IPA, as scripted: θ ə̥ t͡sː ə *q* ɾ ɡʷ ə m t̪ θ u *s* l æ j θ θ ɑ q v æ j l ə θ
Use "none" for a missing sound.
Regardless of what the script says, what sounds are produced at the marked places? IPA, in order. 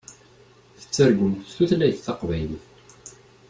none, θ

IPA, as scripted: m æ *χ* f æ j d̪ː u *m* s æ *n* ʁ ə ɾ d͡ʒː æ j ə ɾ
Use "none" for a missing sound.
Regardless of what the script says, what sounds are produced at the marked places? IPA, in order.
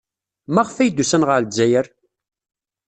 ʁ, none, n

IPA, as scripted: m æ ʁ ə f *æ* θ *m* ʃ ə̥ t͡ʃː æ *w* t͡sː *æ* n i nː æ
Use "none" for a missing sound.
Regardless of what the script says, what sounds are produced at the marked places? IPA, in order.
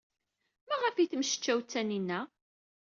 i, m, w, æ

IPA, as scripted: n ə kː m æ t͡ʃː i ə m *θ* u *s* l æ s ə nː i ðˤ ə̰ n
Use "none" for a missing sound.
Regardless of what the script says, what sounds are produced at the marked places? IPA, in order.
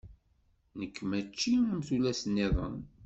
θ, none

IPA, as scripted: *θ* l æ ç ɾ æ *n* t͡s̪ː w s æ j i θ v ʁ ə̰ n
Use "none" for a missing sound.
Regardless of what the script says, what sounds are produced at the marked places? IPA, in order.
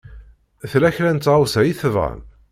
θ, n

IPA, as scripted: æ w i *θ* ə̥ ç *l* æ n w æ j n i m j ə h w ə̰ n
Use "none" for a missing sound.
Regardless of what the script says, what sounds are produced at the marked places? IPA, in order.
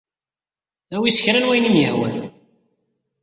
s, ɾ

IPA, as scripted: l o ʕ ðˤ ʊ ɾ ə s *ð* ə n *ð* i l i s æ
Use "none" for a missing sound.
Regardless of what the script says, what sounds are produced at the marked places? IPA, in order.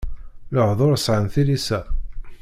ʕ, θ

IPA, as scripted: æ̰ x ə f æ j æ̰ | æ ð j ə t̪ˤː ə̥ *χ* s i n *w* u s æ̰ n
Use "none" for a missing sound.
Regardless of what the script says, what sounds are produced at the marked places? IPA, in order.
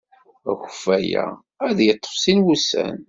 f, w

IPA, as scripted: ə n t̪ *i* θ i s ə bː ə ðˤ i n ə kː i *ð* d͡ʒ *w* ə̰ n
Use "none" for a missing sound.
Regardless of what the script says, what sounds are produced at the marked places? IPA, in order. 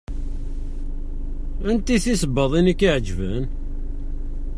i, ʕ, v

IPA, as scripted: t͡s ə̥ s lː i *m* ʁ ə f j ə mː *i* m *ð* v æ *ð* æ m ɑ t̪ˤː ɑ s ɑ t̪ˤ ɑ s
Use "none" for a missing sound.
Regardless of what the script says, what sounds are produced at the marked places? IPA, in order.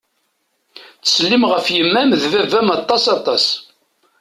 m, æ, ð, v

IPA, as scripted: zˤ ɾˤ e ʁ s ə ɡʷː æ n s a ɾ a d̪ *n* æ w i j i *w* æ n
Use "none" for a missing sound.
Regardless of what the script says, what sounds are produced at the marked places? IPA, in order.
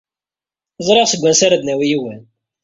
n, w

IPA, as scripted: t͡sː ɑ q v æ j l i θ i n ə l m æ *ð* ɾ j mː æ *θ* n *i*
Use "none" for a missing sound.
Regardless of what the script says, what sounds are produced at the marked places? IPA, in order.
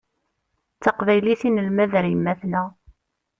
ð, θ, æ

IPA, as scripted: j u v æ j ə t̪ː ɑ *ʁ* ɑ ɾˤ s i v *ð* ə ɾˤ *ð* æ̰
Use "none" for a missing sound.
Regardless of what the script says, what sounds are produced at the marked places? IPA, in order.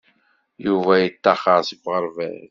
χ, ʁ, v

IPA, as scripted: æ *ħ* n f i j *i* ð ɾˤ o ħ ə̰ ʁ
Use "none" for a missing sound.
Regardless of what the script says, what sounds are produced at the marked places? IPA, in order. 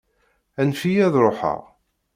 none, æ

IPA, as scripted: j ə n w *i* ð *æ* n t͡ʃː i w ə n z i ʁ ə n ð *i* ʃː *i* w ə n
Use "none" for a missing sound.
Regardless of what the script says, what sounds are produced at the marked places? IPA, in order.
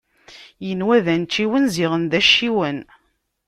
æ, æ, æ, i

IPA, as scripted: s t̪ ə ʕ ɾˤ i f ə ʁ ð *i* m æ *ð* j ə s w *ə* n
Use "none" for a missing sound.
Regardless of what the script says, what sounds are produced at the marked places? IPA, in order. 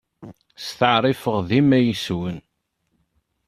i, none, ə

